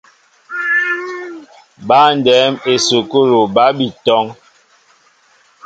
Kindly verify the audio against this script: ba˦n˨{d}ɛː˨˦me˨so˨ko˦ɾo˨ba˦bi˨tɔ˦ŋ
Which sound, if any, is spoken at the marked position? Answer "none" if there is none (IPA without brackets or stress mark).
d